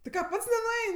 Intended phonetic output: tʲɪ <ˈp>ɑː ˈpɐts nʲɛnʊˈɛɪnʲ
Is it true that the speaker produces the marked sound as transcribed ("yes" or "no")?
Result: no